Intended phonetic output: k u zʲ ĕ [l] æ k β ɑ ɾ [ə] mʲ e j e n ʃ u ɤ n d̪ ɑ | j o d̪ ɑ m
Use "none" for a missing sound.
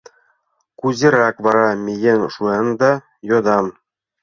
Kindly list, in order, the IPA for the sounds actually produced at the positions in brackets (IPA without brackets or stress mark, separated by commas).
ɾ, ɑ